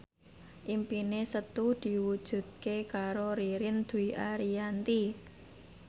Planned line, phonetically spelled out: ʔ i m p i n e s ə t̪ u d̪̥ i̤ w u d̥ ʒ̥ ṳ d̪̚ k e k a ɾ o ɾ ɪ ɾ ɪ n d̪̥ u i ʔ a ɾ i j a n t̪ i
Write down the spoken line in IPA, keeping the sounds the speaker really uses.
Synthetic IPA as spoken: ʔ i m p i n e s ə t̪ u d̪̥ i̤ w u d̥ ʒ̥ ṳ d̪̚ k e k a ɾ o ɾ i ɾ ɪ n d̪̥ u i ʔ a ɾ i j a n t̪ i